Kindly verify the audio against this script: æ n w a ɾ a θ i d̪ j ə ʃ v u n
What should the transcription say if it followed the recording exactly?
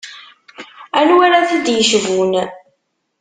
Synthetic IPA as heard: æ n w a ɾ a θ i d̪ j ə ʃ v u n